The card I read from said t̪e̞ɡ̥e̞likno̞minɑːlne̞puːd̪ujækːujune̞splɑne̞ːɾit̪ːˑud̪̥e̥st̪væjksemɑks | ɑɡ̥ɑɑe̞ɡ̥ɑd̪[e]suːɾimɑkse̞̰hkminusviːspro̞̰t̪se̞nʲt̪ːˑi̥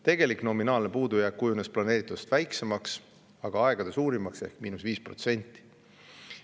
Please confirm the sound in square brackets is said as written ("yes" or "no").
yes